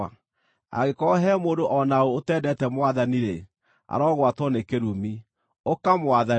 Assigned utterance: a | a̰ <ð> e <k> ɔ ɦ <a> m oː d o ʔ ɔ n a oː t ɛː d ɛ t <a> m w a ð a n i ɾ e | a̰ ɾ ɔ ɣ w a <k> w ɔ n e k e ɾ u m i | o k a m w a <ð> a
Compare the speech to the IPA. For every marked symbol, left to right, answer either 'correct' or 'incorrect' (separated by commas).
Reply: incorrect, correct, incorrect, incorrect, incorrect, correct